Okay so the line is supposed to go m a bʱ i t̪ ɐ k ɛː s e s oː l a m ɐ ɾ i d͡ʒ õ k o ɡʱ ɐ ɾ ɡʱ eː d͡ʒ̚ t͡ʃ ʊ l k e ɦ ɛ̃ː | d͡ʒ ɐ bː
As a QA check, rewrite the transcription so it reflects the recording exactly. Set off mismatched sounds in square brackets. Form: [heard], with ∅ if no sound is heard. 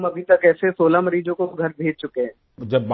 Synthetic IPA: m [ɐ] bʱ i t̪ ɐ k ɛː s e s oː l a m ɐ ɾ [iː] d͡ʒ õ k o ɡʱ ɐ ɾ [bʱ] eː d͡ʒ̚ t͡ʃ ʊ [∅] k e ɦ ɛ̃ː | d͡ʒ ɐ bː